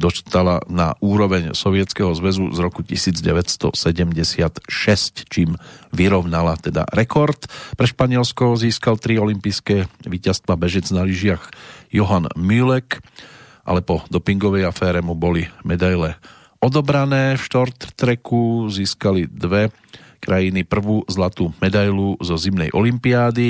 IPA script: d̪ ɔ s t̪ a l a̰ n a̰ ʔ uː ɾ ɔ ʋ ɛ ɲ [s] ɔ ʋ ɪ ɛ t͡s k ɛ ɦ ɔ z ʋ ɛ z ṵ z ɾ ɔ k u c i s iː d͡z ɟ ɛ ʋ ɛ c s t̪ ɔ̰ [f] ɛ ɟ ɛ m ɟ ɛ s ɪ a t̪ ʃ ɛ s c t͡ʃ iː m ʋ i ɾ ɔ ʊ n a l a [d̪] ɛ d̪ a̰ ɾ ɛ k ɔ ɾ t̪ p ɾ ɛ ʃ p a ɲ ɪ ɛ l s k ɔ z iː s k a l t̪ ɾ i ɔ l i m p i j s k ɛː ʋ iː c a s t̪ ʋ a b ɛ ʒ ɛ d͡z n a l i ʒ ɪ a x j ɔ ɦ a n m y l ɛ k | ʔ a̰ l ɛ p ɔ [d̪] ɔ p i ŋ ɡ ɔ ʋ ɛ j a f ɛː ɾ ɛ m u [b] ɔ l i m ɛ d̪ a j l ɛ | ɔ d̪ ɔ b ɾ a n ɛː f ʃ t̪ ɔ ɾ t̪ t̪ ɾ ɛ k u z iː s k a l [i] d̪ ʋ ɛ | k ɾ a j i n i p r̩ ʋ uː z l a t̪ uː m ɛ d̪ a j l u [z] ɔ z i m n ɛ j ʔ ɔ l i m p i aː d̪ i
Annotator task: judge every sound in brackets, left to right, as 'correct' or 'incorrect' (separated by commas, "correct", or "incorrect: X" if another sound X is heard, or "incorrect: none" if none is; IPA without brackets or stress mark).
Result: correct, incorrect: s, incorrect: t̪, correct, correct, correct, correct